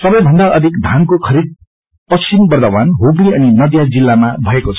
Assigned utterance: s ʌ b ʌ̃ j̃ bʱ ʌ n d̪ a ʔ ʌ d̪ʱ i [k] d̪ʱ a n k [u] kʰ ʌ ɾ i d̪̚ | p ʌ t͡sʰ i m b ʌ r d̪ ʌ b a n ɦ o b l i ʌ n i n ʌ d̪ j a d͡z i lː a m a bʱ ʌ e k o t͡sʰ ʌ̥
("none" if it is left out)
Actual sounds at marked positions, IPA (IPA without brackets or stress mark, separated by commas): k, o